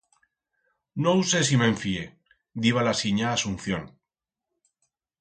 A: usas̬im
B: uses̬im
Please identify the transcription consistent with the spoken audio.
B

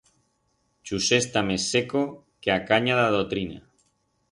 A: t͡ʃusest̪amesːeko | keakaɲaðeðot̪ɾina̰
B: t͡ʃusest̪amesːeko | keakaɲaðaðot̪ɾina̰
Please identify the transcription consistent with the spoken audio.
B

